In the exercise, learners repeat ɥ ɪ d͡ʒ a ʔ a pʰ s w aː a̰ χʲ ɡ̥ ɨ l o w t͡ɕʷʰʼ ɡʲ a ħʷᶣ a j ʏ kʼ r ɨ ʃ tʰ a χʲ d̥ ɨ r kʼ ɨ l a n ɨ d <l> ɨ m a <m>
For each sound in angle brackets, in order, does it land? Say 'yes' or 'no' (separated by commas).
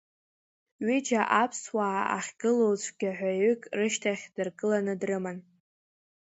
no, no